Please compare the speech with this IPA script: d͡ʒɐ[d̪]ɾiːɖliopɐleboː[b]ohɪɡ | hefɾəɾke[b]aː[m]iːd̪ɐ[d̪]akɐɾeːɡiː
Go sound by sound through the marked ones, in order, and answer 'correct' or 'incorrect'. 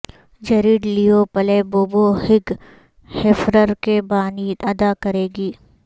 incorrect: none, correct, correct, incorrect: n, correct

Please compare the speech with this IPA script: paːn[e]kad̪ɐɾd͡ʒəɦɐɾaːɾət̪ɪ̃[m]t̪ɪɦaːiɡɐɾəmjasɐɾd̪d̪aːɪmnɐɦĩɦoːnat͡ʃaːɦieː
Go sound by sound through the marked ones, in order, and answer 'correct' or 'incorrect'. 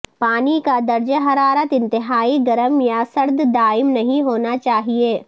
incorrect: i, incorrect: n

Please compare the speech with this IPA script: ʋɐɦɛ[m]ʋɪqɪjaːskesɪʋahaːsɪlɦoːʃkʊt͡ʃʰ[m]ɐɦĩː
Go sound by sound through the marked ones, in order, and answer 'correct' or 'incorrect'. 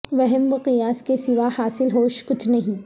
correct, incorrect: n

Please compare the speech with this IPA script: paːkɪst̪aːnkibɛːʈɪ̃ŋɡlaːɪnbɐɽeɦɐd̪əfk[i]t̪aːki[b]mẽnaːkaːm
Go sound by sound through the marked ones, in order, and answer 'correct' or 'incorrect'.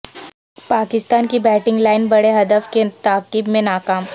incorrect: e, correct

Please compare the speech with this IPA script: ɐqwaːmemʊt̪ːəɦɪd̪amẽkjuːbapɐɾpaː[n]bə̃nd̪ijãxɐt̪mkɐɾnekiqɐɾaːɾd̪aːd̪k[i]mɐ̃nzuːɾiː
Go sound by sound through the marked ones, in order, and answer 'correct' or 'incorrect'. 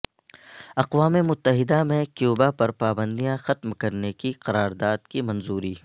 incorrect: none, correct

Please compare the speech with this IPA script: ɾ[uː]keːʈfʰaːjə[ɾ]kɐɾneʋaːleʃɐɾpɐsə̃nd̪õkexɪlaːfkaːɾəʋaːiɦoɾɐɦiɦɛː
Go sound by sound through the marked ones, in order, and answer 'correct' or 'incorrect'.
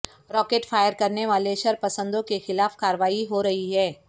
incorrect: ɔː, correct

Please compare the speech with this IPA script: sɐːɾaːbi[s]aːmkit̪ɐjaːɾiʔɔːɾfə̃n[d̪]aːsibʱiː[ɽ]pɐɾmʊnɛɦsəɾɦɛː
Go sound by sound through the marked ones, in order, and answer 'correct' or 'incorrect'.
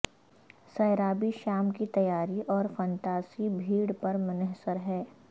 incorrect: ʃ, incorrect: t̪, correct

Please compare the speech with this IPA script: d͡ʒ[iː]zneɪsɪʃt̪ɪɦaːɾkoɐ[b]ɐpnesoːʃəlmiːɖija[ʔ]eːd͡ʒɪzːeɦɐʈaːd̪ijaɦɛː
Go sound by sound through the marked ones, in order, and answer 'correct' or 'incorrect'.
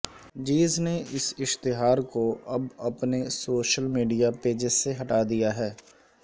correct, correct, incorrect: p

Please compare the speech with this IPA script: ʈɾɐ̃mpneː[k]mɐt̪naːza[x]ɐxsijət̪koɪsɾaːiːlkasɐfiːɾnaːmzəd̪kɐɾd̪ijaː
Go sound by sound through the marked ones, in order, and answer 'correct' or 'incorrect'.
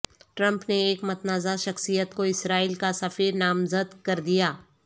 correct, incorrect: ʃ

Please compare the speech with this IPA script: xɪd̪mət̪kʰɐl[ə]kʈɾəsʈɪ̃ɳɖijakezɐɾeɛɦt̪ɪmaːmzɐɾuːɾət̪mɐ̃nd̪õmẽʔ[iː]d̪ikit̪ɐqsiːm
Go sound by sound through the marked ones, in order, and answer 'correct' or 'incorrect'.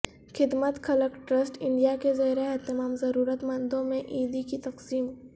correct, correct

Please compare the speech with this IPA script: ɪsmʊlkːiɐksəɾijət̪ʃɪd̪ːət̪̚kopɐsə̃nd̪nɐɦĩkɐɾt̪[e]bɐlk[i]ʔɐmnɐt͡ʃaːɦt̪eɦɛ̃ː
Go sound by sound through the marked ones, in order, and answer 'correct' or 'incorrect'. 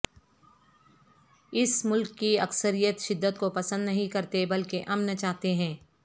correct, incorrect: e

